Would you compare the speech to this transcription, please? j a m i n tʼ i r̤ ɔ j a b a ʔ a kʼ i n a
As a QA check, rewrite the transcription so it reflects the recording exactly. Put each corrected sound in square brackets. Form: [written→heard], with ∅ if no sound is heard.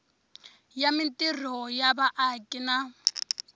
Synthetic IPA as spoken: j a m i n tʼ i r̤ ɔ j a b a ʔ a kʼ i n a